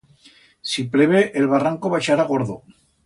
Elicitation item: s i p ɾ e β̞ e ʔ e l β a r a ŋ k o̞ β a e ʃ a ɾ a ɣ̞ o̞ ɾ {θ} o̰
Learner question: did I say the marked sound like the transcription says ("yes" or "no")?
no